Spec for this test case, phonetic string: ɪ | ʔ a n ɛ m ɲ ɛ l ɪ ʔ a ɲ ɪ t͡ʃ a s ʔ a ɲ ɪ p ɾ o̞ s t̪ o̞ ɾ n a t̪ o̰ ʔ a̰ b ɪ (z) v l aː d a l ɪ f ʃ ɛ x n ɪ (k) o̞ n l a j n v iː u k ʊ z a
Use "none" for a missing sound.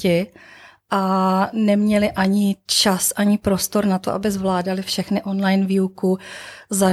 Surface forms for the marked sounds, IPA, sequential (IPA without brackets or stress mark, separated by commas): z, ʔ